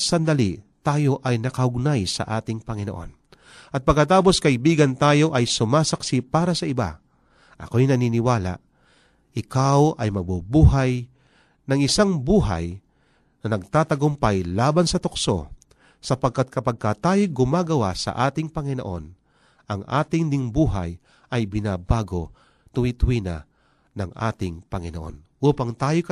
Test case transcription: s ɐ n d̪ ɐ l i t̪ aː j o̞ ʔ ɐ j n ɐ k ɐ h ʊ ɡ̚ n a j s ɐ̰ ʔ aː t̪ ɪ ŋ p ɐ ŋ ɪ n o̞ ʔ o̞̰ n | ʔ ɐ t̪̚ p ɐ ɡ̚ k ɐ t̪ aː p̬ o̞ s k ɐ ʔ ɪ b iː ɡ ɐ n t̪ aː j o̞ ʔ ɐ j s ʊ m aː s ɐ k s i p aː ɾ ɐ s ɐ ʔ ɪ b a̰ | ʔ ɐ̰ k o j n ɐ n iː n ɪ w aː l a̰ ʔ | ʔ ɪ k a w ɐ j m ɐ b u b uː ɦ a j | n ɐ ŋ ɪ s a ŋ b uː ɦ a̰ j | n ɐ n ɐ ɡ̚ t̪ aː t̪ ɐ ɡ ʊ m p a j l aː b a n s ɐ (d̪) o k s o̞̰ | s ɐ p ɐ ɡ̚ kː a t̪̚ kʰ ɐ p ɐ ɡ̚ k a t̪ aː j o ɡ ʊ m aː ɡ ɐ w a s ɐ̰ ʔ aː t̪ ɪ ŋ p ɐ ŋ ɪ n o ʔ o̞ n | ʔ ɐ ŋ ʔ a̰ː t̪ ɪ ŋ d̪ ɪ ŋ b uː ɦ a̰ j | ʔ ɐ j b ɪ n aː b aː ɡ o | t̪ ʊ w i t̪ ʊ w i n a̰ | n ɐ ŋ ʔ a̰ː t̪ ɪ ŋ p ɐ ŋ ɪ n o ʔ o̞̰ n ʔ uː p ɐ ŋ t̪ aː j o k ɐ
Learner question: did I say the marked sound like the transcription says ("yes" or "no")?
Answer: no